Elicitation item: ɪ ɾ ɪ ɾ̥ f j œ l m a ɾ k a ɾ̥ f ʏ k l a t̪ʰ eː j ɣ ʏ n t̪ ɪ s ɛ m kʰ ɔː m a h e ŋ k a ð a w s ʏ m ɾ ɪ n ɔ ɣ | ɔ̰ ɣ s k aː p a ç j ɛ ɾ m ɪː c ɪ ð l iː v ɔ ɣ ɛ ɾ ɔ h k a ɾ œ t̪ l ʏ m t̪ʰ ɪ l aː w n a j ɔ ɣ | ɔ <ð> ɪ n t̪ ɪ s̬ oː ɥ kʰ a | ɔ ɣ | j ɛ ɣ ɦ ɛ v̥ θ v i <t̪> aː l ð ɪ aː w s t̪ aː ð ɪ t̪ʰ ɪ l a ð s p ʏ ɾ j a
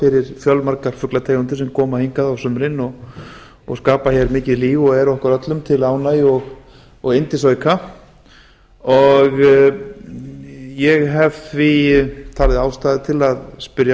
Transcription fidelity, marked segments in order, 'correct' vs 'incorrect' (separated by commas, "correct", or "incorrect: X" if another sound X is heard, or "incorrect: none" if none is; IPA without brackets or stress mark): incorrect: ɣ, incorrect: t̪ʰ